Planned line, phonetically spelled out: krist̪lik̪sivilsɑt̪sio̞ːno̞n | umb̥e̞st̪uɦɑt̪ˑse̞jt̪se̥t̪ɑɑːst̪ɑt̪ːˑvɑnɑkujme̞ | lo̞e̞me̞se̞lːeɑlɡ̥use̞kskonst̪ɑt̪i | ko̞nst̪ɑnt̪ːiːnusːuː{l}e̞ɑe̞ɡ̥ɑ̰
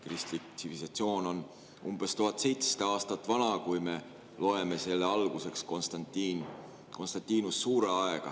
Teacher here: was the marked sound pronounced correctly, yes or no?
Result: no